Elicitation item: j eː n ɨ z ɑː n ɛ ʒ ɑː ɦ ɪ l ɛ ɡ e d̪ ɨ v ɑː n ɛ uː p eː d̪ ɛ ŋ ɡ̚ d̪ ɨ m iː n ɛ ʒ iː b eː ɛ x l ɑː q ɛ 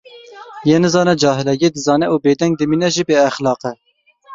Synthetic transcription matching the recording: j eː n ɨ z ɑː n ɛ d͡ʒ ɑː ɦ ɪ l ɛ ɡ e d̪ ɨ z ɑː n ɛ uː b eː d̪ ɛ ŋ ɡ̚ d̪ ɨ m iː n ɛ ʒ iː b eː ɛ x l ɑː q ɛ